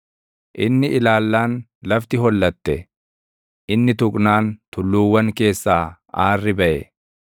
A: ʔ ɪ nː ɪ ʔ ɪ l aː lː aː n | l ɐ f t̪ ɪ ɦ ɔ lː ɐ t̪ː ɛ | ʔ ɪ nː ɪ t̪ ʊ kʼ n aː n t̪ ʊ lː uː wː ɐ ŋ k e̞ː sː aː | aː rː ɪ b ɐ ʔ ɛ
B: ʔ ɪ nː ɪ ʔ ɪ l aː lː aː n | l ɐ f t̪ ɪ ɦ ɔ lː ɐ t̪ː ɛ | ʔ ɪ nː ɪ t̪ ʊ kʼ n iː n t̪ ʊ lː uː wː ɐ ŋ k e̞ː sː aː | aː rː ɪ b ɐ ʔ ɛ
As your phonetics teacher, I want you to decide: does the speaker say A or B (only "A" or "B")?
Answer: A